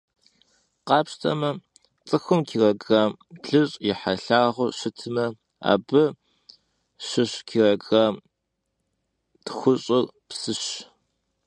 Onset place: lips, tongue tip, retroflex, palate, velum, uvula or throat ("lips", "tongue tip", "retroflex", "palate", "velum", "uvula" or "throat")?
uvula